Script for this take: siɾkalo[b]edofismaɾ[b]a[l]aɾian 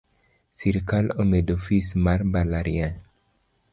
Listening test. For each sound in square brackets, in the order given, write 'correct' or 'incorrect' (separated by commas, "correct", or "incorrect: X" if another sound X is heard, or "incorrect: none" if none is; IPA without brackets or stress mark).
incorrect: m, correct, correct